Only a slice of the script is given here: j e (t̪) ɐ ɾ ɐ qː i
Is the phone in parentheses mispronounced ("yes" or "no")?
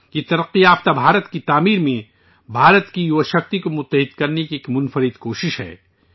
no